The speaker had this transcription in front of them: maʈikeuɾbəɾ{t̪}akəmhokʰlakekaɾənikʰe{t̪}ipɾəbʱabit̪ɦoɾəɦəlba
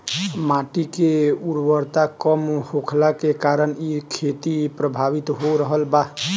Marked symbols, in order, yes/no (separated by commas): yes, yes